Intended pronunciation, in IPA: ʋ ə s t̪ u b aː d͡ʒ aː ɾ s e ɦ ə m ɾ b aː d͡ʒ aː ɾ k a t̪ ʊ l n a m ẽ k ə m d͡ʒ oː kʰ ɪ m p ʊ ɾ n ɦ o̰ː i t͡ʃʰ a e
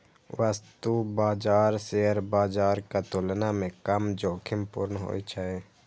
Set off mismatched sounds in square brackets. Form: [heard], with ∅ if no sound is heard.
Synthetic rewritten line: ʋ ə s t̪ u b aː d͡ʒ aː ɾ s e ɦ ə [∅] ɾ b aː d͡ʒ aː ɾ k a t̪ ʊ l n a m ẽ k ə m d͡ʒ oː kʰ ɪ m p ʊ ɾ n ɦ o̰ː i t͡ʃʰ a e